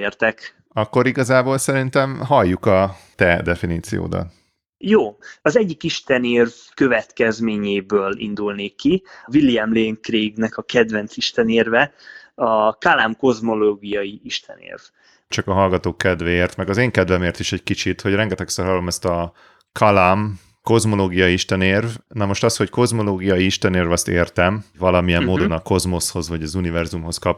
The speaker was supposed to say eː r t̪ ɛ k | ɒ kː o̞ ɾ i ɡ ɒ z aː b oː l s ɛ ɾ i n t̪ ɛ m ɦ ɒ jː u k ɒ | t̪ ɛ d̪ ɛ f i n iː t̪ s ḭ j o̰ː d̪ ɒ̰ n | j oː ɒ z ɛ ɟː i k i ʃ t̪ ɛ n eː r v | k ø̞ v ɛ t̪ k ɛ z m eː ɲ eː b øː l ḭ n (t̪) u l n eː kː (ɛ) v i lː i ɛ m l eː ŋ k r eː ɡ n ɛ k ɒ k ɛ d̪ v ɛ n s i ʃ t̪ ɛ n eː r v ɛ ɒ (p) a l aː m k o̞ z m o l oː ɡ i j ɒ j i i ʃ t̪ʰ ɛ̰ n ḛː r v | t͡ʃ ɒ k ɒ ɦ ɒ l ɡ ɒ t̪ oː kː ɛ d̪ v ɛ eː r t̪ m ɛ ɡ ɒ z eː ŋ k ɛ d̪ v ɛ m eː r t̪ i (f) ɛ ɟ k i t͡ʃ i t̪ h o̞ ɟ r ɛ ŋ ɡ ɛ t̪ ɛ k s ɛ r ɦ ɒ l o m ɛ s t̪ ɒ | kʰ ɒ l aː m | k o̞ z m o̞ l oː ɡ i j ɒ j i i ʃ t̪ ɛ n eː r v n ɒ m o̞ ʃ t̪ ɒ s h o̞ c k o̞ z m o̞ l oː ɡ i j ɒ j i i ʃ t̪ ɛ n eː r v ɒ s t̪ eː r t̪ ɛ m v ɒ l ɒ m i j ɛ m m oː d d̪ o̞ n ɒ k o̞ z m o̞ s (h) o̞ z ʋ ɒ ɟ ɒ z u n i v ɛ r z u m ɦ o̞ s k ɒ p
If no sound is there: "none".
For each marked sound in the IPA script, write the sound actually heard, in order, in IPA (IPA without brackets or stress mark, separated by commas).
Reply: d̪, i, k, ʃ, h